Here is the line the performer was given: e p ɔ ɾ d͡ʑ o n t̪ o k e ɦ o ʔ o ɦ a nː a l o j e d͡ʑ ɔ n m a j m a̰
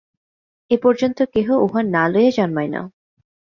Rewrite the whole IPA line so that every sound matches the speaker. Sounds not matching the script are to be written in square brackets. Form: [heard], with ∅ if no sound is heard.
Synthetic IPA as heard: e p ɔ ɾ d͡ʑ o n t̪ o k e ɦ o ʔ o ɦ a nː a l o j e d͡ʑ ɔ n m a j [n] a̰